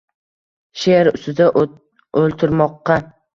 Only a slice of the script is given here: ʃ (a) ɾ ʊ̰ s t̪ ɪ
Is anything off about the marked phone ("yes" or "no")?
yes